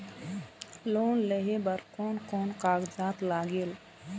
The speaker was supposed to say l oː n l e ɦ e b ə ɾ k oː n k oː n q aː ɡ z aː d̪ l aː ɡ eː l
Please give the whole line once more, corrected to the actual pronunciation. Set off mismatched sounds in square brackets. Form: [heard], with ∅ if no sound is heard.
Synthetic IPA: l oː n l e ɦ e b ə ɾ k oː n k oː n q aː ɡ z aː [t̪] l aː ɡ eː l